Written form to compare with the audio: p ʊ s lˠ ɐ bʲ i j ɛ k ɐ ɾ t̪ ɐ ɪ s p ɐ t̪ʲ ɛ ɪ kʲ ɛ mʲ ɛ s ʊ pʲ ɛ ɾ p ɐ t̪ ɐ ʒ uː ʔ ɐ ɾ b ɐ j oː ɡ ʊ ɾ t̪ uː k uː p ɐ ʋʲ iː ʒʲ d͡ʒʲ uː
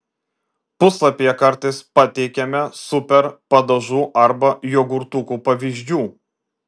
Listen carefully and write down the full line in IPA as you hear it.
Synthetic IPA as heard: p ʊ s lˠ ɐ pʲ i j ɛ k ɐ ɾ t̪ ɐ ɪ s p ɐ t̪ʲ ɛ ɪ kʲ ɛ mʲ ɛ s ʊ pʲ ɛ ɾ p ɐ d̪ ɐ ʒ uː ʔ ɐ ɾ b ɐ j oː ɡ ʊ ɾ t̪ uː k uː p ɐ ʋʲ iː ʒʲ d͡ʒʲ uː